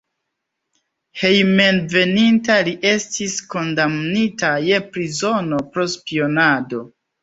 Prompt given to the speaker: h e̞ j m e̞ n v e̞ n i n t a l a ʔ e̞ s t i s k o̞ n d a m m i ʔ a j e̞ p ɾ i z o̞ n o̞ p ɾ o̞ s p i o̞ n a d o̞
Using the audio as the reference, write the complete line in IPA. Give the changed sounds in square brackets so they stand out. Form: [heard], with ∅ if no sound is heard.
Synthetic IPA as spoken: h e̞ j m e̞ n v e̞ n i n t a l [i] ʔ e̞ s t i s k o̞ n d a m [n] i [t] a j e̞ p ɾ i z o̞ n o̞ p ɾ o̞ s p i o̞ n a d o̞